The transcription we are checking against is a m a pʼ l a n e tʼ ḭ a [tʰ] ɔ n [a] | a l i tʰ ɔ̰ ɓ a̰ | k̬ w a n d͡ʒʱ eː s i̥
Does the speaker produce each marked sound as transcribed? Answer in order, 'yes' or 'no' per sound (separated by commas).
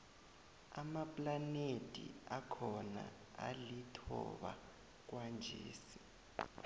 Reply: no, yes